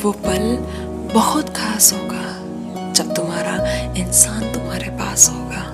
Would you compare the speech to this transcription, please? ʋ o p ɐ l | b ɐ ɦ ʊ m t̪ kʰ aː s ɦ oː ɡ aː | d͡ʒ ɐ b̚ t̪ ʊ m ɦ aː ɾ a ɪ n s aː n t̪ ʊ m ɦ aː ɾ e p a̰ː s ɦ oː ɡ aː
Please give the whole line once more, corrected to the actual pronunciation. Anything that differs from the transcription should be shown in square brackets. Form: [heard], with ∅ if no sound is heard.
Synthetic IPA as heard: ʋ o p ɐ l | b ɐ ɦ ʊ [∅] t̪ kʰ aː s ɦ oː ɡ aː | d͡ʒ ɐ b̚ t̪ ʊ m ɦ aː ɾ a ɪ n s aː n t̪ ʊ m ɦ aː ɾ e p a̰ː s ɦ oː ɡ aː